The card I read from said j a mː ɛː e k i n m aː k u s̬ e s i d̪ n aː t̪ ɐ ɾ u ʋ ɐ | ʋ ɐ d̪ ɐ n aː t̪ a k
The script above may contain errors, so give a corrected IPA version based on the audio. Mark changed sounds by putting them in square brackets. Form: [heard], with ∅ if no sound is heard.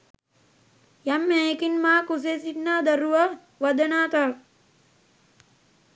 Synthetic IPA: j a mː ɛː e k i n m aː k u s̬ e s i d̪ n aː [d̪] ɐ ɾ u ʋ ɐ | ʋ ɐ d̪ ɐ n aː t̪ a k